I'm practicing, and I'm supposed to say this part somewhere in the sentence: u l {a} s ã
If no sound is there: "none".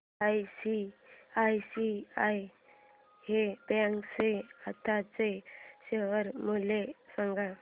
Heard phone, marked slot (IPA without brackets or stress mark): e